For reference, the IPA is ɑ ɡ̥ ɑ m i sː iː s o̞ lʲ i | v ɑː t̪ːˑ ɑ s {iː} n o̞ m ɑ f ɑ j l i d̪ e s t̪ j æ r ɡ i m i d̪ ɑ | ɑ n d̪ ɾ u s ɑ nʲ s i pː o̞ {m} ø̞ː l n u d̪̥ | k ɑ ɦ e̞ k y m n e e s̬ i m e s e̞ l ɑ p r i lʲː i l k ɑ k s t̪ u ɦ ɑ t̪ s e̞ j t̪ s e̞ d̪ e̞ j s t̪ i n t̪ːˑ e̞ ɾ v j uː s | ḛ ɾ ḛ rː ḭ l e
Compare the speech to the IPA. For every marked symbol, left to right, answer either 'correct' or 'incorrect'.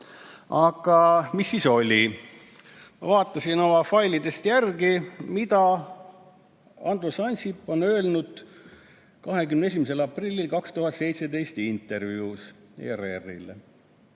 incorrect: i, incorrect: n

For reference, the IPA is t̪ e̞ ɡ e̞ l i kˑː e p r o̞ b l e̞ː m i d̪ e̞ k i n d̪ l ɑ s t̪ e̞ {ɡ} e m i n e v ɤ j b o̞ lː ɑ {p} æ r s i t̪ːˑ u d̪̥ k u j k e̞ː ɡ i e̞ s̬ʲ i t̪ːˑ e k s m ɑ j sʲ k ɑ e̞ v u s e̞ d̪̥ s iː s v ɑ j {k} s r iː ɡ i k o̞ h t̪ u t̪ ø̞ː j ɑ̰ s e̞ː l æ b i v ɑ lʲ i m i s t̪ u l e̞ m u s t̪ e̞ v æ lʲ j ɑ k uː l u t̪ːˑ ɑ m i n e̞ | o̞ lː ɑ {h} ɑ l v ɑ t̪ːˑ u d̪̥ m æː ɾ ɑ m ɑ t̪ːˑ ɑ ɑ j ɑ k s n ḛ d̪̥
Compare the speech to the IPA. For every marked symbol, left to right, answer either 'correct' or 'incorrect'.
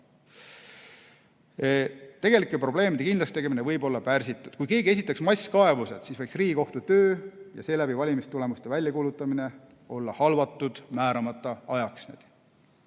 correct, correct, correct, correct

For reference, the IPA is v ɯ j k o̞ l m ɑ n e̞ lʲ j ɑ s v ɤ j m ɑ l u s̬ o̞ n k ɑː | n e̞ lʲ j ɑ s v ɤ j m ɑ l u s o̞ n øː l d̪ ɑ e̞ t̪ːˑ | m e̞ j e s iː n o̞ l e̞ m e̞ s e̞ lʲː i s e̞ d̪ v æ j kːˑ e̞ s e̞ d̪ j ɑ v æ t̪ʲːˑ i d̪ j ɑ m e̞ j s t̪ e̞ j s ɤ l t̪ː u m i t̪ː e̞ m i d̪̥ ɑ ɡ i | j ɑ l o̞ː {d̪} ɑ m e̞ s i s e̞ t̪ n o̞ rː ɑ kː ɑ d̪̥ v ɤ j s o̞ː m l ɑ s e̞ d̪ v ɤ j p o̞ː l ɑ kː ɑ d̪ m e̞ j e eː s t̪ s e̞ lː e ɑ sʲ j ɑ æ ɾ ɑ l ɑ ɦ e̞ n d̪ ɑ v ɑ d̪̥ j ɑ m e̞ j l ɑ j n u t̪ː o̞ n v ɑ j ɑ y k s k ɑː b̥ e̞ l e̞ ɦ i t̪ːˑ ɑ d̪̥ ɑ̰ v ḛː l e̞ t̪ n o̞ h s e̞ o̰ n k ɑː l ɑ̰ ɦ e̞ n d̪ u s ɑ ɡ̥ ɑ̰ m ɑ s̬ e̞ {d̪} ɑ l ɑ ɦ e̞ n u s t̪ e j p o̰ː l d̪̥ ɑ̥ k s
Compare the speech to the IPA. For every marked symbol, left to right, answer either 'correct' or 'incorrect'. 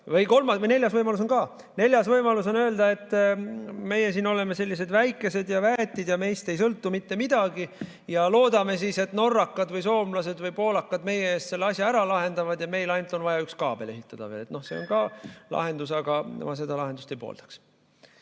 correct, correct

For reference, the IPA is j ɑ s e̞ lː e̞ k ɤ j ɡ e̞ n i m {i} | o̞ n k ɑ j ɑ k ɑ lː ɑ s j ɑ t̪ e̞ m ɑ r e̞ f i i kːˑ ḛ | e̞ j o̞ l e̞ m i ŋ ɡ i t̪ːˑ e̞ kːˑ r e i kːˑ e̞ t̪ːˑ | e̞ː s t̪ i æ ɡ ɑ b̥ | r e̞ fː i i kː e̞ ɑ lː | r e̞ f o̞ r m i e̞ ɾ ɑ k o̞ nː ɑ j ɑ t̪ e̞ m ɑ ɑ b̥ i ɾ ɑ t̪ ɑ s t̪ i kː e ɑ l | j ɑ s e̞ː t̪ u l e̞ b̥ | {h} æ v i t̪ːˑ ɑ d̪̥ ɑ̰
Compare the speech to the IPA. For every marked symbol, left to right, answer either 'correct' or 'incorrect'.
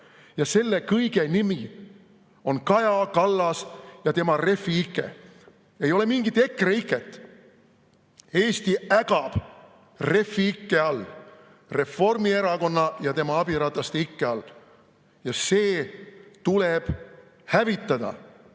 correct, correct

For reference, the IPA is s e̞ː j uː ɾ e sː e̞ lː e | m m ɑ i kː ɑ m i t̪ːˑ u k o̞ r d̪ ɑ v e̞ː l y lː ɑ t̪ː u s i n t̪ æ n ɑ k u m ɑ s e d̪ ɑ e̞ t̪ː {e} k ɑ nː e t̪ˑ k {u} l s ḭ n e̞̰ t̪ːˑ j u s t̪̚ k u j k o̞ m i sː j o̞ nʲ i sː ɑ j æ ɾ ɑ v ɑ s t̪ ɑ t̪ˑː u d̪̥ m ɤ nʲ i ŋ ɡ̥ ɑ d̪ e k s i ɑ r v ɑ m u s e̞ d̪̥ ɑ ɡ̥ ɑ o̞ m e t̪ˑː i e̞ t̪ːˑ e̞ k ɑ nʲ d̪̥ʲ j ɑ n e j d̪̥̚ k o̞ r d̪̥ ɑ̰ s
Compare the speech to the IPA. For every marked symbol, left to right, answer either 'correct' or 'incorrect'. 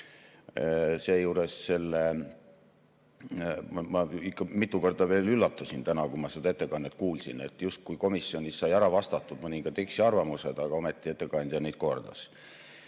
correct, incorrect: uː

